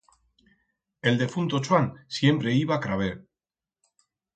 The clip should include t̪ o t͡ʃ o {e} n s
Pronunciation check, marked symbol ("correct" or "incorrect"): incorrect